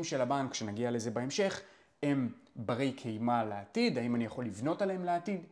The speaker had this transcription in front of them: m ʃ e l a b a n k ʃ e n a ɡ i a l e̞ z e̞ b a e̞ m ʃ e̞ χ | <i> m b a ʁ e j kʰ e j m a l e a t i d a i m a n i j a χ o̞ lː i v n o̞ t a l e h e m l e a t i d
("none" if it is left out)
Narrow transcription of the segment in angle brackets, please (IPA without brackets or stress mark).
e